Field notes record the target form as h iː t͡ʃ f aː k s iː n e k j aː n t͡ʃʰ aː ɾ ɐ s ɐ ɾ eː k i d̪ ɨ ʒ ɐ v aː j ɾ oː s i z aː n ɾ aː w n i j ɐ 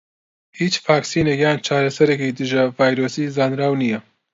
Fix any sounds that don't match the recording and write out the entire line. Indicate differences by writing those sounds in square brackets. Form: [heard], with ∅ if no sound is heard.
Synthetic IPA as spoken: h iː t͡ʃ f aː k s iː n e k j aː n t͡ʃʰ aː ɾ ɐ s ɐ ɾ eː k i d̪ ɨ ʒ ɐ v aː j ɾ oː s i z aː n ɾ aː w n i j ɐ